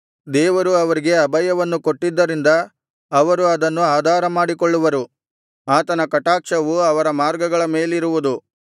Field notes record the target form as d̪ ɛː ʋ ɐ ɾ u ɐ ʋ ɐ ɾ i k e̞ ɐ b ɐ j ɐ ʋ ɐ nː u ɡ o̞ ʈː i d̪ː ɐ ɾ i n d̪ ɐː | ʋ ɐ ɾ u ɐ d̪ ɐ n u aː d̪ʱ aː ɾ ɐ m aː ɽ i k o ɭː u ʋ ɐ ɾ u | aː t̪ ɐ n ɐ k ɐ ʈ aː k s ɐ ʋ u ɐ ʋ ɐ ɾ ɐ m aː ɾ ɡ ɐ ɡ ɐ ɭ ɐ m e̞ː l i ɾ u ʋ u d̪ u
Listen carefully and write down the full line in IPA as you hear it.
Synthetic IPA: d̪ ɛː ʋ ɐ ɾ u ɐ ʋ ɐ ɾ i ɡ e̞ ɐ b ɐ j ɐ ʋ ɐ nː u k o̞ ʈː i d̪ː ɐ ɾ i n d̪ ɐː | ʋ ɐ ɾ u ɐ d̪ ɐ nː u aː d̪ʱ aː ɾ ɐ m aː ɽ i k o ɭː u ʋ ɐ ɾ u | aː t̪ ɐ n ɐ k ɐ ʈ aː k ʂ ɐ ʋ u ɐ ʋ ɐ ɾ ɐ m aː ɾ ɡ ɐ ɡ ɐ ɭ ɐ m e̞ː l i ɾ u ʋ u d̪ u